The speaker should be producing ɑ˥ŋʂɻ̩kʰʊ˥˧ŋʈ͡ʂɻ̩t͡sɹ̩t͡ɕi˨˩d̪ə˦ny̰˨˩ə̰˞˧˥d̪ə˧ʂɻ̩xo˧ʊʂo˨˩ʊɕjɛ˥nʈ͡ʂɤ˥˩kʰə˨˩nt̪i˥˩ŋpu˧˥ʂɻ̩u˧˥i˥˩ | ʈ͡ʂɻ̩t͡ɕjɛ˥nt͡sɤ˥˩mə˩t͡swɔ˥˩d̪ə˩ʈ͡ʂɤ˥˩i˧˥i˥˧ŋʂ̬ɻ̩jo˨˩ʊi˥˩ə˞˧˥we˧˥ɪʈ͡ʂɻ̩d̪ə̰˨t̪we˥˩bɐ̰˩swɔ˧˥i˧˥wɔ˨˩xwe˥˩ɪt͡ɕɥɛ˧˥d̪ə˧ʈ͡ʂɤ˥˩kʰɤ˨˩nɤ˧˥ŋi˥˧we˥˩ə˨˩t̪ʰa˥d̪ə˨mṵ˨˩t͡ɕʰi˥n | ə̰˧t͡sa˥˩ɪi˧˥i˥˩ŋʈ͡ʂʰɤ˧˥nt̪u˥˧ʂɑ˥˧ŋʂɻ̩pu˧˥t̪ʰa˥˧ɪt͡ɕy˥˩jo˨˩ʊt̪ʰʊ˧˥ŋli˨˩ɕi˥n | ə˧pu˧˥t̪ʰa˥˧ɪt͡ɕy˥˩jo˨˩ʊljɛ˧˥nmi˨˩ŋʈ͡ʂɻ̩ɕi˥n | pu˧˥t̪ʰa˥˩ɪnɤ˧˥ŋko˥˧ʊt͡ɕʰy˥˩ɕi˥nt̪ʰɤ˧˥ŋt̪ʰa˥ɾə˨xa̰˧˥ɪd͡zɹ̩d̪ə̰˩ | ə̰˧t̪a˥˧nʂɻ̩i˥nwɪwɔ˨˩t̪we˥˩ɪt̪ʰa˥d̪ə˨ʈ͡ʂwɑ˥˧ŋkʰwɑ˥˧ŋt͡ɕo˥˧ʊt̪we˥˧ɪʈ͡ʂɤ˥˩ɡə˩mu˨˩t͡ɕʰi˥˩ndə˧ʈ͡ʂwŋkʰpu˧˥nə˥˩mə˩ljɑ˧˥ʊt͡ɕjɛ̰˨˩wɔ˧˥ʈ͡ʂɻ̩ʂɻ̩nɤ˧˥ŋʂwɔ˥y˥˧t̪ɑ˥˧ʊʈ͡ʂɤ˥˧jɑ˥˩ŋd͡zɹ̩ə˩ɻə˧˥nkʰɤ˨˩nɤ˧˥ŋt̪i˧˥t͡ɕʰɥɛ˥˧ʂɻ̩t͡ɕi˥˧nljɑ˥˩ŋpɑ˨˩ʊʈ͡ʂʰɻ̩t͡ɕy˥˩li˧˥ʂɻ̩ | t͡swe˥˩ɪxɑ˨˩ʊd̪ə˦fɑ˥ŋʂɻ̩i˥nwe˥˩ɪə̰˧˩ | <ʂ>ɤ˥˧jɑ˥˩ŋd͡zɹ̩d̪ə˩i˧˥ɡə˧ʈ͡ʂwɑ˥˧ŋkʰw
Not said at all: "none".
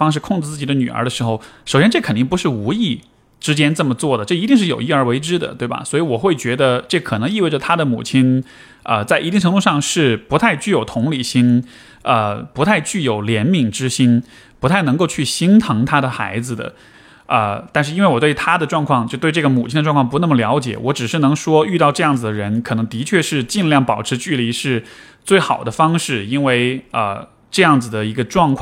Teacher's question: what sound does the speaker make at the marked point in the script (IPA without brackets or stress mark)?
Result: ʈ͡ʂ